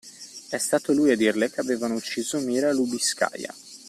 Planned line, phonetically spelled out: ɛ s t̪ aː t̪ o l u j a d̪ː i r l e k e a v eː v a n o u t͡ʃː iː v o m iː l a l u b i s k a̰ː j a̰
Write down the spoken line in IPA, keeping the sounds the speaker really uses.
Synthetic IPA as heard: ɛ s t̪ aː t̪ o l u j a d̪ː i r l e k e a v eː v a n o u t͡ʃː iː z o m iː ɾ a l u b i s k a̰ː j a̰